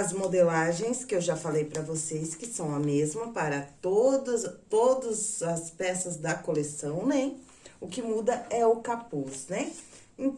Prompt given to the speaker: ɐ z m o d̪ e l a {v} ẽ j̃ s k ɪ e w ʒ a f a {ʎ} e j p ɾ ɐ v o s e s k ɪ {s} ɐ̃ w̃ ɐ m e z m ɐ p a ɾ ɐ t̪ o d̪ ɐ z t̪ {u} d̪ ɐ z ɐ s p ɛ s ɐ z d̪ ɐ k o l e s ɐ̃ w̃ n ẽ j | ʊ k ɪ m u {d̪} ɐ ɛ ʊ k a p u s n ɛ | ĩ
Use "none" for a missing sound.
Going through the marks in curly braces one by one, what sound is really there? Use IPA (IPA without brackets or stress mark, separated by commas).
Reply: ʒ, l, s, o, d̪